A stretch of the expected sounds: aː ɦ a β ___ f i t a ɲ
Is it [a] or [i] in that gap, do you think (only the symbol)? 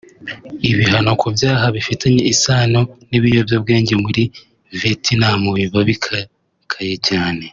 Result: i